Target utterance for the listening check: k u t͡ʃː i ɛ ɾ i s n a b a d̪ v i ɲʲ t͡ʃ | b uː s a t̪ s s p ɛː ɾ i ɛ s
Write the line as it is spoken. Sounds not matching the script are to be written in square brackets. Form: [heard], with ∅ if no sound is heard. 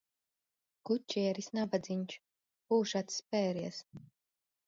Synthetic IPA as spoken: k u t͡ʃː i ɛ ɾ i s n a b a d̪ [z] i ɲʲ t͡ʃ | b uː [ʃ] a t̪ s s p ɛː ɾ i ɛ s